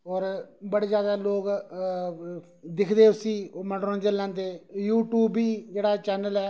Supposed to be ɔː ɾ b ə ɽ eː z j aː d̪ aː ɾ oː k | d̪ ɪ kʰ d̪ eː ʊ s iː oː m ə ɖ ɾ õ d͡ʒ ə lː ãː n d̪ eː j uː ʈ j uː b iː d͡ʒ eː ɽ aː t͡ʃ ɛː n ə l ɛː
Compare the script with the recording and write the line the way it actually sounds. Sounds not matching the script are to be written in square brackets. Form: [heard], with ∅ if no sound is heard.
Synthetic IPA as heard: ɔː ɾ b ə ɽ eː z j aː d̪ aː [l] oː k | d̪ ɪ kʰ d̪ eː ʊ s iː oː m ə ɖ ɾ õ d͡ʒ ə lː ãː n d̪ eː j uː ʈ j uː b iː d͡ʒ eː ɽ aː t͡ʃ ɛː n ə l ɛː

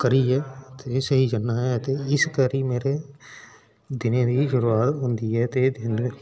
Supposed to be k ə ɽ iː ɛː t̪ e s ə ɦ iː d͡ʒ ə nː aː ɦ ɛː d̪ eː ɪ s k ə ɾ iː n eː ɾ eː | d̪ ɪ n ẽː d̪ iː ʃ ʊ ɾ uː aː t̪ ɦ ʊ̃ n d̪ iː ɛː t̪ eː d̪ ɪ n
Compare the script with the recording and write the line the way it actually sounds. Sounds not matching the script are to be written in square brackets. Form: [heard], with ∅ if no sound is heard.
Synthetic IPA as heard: k ə [ɾ] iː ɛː t̪ e s ə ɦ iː d͡ʒ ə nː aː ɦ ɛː [t̪] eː ɪ s k ə ɾ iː [m] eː ɾ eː | d̪ ɪ n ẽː d̪ iː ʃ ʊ ɾ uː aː t̪ ɦ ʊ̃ n d̪ iː ɛː t̪ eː d̪ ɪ n

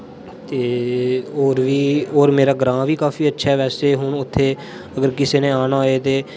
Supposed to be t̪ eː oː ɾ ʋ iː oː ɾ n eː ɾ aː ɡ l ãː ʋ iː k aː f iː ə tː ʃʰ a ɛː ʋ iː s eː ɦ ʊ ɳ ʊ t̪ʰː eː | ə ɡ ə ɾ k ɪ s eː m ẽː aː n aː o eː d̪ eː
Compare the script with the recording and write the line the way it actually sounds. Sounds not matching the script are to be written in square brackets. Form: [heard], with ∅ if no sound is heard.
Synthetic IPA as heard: t̪ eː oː ɾ ʋ iː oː ɾ [m] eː ɾ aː ɡ [ɾ] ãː ʋ iː k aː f iː ə tː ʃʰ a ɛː ʋ [ɛː] s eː ɦ ʊ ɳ ʊ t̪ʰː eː | ə ɡ ə ɾ k ɪ s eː [n] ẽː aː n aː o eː [t̪] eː

